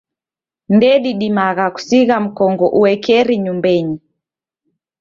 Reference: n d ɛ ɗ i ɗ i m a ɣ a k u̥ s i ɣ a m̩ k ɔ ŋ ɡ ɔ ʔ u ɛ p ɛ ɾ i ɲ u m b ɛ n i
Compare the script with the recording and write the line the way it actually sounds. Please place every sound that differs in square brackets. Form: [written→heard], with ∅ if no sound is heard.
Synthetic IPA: n d ɛ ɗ i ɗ i m a ɣ a k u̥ s i ɣ a m̩ k ɔ ŋ ɡ ɔ ʔ u ɛ [p→k] ɛ ɾ i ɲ u m b ɛ [n→ɲ] i